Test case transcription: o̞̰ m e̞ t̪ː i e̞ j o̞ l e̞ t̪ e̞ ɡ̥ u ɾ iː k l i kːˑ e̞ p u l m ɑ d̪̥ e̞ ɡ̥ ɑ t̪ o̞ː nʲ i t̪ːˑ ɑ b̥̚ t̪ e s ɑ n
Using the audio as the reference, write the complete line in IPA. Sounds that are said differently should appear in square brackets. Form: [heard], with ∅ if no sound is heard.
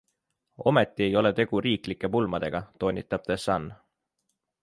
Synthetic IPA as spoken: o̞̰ m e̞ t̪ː i e̞ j o̞ l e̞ t̪ e̞ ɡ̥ u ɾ iː k l i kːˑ e̞ p u l m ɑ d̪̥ e̞ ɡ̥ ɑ t̪ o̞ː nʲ i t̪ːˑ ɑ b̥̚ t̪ e s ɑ n